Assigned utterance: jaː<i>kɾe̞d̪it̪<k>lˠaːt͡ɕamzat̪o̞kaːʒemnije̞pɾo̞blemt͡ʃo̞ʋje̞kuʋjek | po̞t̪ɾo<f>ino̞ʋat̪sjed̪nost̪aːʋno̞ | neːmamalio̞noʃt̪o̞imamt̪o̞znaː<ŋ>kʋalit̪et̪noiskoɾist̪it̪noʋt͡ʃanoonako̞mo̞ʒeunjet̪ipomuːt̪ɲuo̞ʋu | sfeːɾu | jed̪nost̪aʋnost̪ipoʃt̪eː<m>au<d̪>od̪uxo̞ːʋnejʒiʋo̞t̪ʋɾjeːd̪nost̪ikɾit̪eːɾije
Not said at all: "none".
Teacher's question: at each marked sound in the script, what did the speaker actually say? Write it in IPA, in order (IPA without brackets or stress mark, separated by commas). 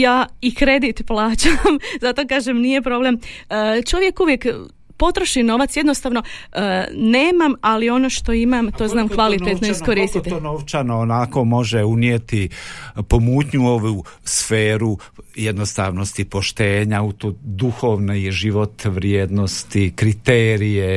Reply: i, p, ʃ, m, ɲ, t̪